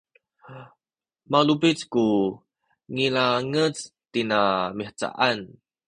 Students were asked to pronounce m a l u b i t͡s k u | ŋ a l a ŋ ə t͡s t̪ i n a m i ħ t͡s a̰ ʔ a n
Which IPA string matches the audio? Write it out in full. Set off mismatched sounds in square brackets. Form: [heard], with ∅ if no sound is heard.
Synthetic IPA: m a l u b i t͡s k u | ŋ [i] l a ŋ ə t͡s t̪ i n a m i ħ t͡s a̰ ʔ a n